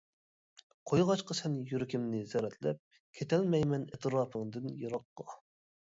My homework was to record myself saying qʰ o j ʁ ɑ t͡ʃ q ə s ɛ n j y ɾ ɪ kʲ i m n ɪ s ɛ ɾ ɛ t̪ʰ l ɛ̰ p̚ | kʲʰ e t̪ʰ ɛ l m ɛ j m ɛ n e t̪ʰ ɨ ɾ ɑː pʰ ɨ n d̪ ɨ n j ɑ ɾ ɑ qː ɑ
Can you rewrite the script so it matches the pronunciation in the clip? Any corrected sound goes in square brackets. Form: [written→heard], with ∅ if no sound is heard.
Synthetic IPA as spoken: qʰ o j ʁ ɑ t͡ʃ q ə s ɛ n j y ɾ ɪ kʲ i m n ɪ [s→z] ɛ ɾ ɛ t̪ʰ l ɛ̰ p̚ | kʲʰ e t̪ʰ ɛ l m ɛ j m ɛ n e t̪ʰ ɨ ɾ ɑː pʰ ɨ [n→ŋ] d̪ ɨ n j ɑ ɾ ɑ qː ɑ